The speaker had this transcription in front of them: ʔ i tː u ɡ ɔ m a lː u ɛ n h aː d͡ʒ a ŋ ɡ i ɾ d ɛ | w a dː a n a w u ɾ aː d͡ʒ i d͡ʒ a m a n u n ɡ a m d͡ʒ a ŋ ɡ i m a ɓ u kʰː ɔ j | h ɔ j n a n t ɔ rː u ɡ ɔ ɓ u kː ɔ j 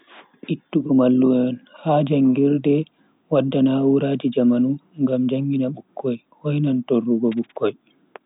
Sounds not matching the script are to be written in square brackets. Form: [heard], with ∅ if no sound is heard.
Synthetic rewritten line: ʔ i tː u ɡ ɔ m a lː u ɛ n h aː d͡ʒ a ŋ ɡ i ɾ d ɛ | w a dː a n a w u ɾ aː d͡ʒ i d͡ʒ a m a n u [ŋ] ɡ a m d͡ʒ a ŋ ɡ i [n] a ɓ u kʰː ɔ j | h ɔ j n a n t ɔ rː u ɡ ɔ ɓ u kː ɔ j